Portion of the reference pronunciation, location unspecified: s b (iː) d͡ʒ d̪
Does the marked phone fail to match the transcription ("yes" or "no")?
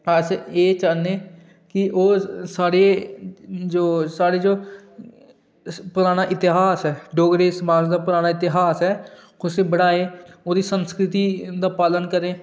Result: yes